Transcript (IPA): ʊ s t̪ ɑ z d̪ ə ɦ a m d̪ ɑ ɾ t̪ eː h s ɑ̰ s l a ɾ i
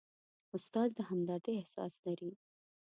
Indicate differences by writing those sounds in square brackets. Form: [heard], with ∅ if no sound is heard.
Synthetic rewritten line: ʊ s t̪ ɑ z d̪ ə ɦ a m d̪ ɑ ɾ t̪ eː h s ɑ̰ s l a ɾ i